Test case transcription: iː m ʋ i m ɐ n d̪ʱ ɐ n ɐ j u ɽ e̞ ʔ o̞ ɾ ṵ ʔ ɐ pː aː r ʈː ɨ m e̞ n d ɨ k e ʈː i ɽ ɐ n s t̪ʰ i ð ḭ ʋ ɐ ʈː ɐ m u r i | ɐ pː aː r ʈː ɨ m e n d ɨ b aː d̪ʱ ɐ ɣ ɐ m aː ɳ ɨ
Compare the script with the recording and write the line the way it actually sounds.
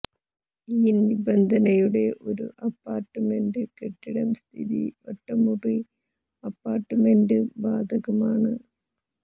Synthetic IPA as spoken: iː n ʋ i b ɐ n d̪ʱ ɐ n ɐ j u ɽ e̞ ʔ o̞ ɾ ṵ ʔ ɐ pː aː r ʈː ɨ m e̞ n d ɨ k e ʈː i ɽ ɐ m s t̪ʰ i ð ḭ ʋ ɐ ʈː ɐ m u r i | ɐ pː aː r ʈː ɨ m e n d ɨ b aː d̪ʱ ɐ ɣ ɐ m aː ɳ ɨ